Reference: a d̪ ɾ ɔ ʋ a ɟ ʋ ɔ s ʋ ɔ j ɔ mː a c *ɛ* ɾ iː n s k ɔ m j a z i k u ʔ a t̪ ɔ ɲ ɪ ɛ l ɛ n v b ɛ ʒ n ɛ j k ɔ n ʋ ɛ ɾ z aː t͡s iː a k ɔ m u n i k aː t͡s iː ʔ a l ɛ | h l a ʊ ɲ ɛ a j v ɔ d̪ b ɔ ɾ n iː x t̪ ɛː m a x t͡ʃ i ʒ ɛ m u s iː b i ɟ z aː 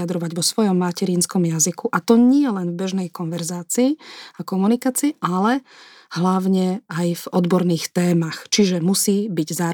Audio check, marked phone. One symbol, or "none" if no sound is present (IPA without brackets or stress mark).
ɛ